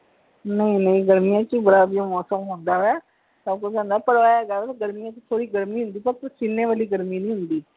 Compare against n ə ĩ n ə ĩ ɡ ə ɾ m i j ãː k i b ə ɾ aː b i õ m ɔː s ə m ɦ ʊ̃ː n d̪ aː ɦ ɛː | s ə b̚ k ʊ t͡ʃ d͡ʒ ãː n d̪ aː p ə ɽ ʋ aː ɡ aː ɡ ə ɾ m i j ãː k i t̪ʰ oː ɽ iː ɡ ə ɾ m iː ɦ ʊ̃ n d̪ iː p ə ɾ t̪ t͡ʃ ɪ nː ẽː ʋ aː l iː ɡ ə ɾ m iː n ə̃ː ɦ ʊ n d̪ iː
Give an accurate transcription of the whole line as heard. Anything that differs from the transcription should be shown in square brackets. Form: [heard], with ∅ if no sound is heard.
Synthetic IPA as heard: n ə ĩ n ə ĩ ɡ ə ɾ m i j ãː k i b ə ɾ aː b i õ m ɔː s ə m ɦ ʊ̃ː n d̪ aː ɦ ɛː | s ə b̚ k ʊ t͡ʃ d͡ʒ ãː n d̪ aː p ə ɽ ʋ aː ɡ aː ɡ ə ɾ m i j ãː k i t̪ʰ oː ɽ iː ɡ ə ɾ m iː ɦ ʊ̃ n d̪ iː p ə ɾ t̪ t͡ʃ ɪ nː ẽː ʋ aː l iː ɡ ə ɾ m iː n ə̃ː ɦ ʊ n d̪ iː

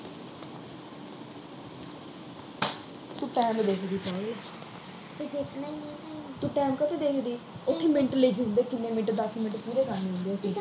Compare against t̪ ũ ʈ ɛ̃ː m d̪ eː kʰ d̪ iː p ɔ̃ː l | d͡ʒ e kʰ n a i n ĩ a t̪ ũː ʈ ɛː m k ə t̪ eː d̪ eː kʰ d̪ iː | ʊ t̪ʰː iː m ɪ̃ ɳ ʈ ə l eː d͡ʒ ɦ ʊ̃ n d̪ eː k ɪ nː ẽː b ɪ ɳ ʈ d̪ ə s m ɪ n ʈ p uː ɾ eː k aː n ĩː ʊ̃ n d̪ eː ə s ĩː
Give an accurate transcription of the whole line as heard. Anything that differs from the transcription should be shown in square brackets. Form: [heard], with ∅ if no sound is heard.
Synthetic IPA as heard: t̪ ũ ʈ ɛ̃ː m d̪ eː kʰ d̪ iː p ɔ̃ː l | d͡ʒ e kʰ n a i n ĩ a t̪ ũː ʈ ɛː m k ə t̪ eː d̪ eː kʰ d̪ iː | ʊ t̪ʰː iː m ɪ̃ ɳ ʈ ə l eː d͡ʒ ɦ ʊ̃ n d̪ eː k ɪ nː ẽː [m] ɪ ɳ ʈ d̪ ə s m ɪ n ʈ p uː ɾ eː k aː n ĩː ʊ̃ n d̪ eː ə s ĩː

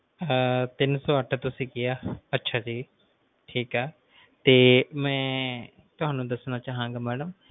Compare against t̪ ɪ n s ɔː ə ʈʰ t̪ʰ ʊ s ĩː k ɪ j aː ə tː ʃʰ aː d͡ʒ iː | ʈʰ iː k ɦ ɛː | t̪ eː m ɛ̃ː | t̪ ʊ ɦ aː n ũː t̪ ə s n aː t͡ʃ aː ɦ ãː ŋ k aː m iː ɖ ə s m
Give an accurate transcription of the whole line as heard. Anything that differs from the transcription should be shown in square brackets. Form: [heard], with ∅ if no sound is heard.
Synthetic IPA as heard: t̪ ɪ n s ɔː ə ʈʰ [t̪] ʊ s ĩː k ɪ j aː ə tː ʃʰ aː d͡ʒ iː | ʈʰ iː k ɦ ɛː | t̪ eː m ɛ̃ː | t̪ ʊ ɦ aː n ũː [d̪] ə s n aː t͡ʃ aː ɦ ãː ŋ [ɡ] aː m [ɛː] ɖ ə [∅] m

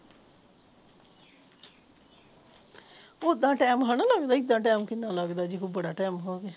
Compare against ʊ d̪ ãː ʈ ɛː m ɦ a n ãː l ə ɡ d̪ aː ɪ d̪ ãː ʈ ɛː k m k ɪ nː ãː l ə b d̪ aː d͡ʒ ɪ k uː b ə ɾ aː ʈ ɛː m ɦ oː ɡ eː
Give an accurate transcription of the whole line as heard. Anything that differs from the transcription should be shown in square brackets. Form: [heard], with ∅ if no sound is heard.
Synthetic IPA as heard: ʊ d̪ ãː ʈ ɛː m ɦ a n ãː l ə ɡ d̪ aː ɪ d̪ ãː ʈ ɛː [∅] m k ɪ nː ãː l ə [ɡ] d̪ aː d͡ʒ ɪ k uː b ə [ɽ] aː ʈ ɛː m ɦ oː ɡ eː

